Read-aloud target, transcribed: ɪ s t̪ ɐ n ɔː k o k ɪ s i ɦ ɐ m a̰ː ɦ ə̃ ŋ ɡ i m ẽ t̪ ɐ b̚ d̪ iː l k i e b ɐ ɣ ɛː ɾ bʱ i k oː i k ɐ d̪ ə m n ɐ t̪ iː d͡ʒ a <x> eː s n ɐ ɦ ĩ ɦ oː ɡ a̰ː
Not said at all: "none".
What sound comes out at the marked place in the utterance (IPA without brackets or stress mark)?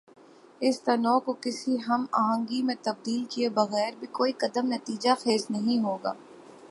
x